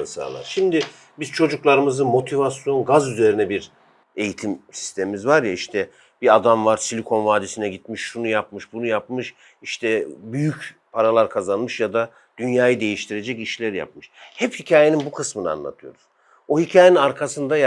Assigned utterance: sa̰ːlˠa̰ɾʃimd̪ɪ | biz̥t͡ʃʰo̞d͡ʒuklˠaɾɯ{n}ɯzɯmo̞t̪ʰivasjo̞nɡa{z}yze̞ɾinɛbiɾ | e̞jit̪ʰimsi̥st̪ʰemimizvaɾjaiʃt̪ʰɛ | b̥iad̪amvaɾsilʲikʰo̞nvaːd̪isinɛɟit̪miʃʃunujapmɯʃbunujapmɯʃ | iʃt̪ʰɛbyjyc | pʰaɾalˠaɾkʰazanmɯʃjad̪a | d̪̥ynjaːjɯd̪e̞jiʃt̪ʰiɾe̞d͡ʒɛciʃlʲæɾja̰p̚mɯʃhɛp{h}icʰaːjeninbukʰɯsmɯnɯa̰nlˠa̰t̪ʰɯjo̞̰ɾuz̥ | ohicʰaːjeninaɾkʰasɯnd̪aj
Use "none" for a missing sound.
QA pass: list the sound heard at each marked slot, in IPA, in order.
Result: m, z, h

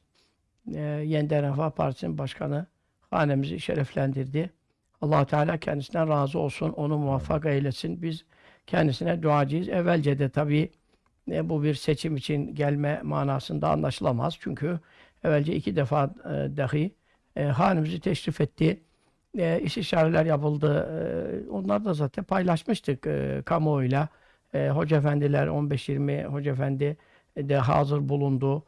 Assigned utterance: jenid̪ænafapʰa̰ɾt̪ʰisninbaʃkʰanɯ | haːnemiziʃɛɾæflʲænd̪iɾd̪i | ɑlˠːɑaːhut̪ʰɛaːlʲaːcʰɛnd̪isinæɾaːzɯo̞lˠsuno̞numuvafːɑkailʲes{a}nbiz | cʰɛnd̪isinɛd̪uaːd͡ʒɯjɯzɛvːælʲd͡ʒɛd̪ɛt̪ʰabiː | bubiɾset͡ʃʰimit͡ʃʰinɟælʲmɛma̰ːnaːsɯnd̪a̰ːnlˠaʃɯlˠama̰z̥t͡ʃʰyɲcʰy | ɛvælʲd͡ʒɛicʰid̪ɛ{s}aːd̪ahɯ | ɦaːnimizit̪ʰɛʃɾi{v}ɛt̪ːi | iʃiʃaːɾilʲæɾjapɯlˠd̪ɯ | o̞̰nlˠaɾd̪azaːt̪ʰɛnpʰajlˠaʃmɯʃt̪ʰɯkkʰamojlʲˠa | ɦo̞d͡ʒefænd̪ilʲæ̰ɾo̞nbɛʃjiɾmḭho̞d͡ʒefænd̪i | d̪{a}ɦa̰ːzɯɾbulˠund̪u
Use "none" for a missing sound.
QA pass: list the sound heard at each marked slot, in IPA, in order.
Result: i, f, f, ɛ

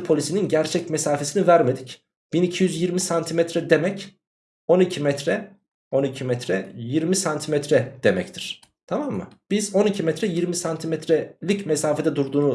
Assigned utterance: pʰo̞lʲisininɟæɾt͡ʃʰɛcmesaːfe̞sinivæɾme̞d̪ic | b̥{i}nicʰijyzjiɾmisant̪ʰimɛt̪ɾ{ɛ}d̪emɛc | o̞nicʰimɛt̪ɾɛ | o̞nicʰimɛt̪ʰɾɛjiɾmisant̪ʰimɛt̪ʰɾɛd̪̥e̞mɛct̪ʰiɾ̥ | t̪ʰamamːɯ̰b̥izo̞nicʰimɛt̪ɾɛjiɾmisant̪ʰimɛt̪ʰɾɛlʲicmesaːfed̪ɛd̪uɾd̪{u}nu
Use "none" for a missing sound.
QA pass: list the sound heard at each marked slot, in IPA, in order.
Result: i, ɛ, uː

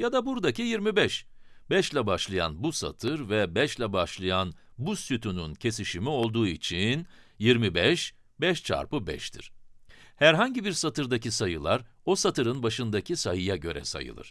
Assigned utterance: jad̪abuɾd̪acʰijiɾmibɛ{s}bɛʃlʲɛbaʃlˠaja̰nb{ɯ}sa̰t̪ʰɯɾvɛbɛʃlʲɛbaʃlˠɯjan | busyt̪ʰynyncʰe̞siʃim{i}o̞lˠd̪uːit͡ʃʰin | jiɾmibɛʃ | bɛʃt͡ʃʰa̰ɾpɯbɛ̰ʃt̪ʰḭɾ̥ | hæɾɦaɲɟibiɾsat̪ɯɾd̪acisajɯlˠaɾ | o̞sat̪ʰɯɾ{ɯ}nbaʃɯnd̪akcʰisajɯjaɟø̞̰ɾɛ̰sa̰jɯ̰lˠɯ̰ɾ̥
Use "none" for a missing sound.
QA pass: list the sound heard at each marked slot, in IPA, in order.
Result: ʃ, u, i, ɯ

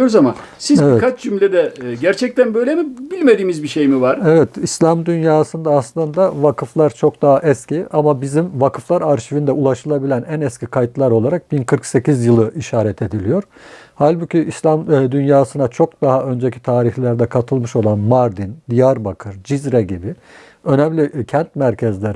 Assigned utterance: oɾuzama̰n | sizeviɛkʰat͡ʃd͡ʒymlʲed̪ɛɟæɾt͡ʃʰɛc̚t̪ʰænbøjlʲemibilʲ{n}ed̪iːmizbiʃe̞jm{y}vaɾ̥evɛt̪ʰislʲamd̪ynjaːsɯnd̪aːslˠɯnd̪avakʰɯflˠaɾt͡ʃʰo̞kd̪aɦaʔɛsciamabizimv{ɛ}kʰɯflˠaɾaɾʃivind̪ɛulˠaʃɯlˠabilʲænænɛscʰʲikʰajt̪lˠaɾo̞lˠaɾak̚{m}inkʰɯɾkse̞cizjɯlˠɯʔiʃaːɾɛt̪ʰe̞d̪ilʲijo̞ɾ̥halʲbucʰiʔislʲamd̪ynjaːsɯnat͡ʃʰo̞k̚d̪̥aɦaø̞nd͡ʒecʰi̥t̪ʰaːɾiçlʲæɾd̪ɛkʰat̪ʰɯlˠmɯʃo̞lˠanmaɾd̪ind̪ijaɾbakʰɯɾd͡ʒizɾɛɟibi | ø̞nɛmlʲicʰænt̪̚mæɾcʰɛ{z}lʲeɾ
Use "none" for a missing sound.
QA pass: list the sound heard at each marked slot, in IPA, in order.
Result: m, i, a, b, z

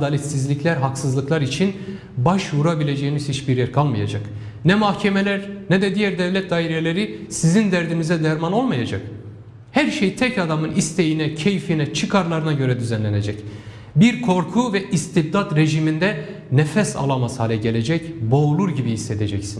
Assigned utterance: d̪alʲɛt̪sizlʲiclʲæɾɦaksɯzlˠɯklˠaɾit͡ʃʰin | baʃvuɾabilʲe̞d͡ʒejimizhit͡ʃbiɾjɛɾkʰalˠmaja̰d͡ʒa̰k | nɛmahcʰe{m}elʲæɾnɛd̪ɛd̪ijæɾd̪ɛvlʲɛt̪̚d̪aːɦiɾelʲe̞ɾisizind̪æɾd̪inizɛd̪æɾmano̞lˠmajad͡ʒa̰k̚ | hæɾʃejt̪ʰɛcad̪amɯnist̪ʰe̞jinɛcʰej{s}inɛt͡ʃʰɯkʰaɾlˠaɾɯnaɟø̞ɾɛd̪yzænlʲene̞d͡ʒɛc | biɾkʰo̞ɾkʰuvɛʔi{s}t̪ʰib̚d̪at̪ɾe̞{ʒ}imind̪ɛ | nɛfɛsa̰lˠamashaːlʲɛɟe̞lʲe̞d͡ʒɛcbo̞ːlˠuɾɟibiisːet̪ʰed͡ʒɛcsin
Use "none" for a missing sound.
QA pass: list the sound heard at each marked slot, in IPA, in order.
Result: m, f, s, ʒ

